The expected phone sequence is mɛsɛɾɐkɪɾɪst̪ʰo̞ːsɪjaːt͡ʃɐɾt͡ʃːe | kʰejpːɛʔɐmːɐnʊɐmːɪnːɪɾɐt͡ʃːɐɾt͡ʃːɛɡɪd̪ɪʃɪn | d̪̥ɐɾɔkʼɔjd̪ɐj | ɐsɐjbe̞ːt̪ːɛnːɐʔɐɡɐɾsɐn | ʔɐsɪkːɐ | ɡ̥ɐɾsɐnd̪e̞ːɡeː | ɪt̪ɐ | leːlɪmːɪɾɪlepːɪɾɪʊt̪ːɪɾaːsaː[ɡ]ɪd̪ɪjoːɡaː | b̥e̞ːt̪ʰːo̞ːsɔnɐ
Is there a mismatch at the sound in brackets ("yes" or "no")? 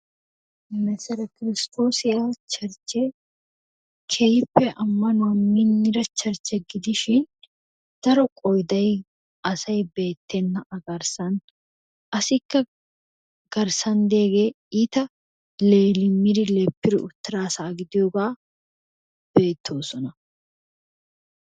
no